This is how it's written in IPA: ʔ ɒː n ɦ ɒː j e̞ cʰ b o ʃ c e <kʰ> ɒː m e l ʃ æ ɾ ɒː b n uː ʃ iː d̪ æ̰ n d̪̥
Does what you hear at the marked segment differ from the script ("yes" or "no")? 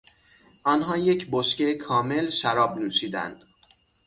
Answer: no